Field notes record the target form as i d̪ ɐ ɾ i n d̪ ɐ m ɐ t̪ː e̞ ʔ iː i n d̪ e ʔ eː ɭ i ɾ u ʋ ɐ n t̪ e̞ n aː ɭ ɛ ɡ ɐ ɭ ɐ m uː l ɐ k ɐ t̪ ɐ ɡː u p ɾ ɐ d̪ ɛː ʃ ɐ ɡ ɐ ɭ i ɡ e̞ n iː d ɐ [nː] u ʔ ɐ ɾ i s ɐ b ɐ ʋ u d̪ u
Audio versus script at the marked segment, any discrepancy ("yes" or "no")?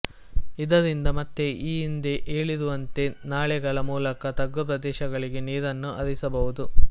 no